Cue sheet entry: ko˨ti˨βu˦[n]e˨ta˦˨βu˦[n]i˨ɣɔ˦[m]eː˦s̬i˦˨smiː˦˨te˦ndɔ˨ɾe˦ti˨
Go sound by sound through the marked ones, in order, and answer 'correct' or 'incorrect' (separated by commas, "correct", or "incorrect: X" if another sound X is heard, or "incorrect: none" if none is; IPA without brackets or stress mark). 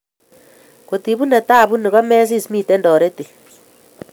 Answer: correct, correct, correct